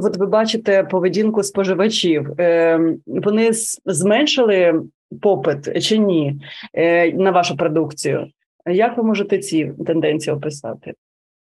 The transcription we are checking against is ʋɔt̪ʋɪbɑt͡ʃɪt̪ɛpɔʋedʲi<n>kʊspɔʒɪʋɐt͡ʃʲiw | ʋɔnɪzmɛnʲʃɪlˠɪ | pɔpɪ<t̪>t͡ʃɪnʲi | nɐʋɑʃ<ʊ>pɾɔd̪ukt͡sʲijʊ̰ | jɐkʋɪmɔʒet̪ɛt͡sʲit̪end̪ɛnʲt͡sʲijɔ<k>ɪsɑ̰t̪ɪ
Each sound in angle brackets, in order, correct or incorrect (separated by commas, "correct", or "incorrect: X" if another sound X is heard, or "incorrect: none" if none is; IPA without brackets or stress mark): correct, correct, correct, incorrect: p